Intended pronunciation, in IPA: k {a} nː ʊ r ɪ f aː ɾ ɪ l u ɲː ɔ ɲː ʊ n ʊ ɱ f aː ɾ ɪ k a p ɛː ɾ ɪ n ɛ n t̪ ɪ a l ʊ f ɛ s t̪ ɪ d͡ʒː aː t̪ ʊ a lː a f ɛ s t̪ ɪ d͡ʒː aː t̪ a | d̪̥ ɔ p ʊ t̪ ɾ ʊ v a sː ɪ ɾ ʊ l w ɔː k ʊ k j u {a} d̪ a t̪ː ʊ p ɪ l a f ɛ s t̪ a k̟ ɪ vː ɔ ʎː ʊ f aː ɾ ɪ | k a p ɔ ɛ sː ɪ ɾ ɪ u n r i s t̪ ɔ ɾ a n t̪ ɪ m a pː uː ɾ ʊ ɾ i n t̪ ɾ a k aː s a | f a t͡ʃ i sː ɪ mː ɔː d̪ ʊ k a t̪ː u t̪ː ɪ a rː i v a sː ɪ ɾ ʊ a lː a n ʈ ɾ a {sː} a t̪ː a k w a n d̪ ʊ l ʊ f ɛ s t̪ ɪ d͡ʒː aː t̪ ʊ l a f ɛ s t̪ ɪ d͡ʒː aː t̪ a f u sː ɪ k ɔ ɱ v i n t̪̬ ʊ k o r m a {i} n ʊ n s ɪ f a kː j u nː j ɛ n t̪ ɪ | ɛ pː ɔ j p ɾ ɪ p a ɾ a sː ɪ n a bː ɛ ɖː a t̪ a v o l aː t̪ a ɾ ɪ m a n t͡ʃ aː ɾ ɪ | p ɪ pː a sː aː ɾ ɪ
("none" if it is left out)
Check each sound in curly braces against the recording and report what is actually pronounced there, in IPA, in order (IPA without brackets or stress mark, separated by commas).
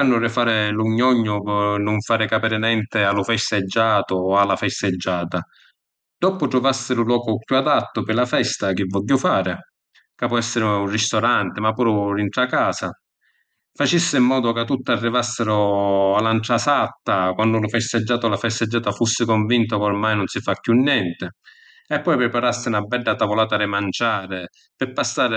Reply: a, a, s, j